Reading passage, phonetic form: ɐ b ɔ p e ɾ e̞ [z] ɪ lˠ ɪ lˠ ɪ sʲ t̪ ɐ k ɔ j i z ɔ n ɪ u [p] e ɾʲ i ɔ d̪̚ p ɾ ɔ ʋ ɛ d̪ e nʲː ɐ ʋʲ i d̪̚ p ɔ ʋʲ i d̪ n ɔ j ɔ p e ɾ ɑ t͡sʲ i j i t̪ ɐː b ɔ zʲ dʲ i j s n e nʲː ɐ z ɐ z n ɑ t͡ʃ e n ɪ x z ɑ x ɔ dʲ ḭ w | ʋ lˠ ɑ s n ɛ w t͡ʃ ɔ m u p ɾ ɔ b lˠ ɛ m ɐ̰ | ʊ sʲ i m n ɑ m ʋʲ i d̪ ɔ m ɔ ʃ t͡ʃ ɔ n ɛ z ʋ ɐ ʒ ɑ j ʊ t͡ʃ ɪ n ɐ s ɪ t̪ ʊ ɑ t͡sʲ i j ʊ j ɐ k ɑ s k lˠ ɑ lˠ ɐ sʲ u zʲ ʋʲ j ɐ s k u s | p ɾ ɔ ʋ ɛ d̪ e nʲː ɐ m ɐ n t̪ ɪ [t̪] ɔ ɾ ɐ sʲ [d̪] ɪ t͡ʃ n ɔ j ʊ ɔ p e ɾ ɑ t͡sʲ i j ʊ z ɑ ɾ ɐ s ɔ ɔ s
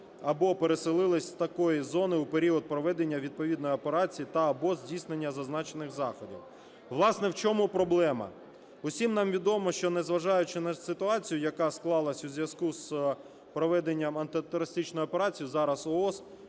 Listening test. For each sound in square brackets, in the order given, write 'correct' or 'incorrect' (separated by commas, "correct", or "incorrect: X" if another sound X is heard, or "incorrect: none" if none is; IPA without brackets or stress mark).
incorrect: s, correct, correct, incorrect: t̪